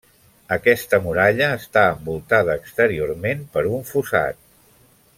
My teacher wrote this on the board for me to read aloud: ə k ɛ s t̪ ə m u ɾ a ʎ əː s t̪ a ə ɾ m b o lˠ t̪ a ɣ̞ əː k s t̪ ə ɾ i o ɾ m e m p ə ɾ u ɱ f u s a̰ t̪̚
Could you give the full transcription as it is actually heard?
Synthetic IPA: ə k ɛ s t̪ ə m u ɾ a ʎ əː s t̪ a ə m b u lˠ t̪ a ð̞ əː k s t̪ ə ɾ i o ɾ m e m p ə ɾ u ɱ f u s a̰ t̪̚